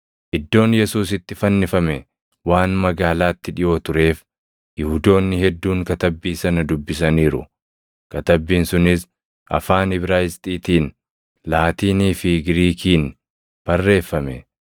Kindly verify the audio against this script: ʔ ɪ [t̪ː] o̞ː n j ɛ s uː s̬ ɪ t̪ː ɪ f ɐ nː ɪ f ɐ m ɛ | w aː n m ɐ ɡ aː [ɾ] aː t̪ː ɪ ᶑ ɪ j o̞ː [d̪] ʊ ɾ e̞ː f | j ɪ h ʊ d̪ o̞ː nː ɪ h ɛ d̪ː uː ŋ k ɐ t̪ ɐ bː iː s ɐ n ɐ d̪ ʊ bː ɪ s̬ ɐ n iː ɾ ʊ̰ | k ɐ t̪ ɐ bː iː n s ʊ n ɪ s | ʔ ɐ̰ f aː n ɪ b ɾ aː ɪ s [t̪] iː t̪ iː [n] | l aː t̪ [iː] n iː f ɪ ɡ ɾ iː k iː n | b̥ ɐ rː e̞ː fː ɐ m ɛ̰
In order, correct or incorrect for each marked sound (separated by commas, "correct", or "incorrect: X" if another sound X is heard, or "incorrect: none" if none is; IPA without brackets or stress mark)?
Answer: incorrect: d̪ː, incorrect: l, incorrect: t̪, incorrect: t̪ʼ, correct, correct